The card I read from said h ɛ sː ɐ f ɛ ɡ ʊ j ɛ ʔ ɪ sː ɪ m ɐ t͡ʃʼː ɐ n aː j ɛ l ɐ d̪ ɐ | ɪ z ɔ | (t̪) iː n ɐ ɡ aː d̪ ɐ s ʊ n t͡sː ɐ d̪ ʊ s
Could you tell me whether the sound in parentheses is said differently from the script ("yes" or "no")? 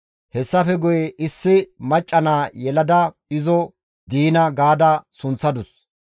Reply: yes